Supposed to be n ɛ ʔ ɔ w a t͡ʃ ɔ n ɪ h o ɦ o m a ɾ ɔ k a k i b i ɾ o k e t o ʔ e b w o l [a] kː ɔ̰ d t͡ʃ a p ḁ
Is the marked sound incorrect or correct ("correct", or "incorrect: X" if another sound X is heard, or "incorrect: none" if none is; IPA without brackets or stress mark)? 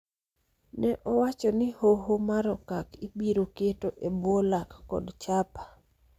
correct